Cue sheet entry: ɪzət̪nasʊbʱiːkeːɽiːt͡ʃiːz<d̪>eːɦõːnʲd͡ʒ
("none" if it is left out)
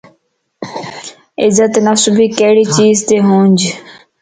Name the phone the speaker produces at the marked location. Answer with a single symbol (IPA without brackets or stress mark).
t̪